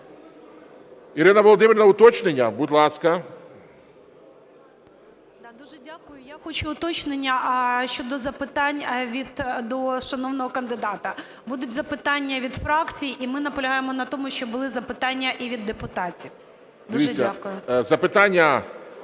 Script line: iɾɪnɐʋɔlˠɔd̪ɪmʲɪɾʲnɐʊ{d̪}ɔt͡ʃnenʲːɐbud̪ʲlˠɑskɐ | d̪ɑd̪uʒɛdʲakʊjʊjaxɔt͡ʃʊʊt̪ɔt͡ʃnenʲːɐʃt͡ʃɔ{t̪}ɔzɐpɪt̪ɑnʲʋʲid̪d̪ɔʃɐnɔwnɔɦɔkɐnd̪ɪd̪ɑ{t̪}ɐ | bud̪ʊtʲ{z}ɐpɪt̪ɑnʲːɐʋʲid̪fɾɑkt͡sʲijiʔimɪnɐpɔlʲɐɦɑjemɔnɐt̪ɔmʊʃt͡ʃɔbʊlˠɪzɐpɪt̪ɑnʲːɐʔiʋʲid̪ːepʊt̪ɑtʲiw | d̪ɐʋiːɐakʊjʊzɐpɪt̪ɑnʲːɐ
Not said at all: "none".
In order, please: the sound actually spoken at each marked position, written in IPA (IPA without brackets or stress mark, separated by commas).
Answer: t̪, d̪, t̪, z